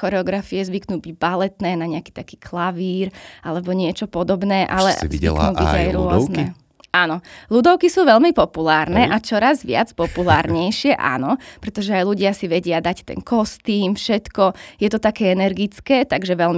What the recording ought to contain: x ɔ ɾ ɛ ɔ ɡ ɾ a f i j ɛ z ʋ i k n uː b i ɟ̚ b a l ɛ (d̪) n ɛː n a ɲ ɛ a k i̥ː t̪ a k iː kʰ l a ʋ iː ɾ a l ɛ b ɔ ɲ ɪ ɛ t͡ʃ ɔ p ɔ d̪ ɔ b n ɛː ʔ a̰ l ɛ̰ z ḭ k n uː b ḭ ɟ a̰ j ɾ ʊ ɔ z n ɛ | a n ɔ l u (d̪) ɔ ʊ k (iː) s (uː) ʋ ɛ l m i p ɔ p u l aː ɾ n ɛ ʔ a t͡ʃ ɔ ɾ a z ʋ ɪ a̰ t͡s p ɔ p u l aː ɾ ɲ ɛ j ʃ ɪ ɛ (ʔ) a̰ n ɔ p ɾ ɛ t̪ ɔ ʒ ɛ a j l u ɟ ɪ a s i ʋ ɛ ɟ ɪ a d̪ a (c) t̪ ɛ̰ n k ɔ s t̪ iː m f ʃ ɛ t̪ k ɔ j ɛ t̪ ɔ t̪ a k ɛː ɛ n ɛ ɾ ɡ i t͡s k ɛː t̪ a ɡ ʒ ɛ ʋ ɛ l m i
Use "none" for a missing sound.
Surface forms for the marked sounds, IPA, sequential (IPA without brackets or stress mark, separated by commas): t̪, d̪, i, uː, ʔ, c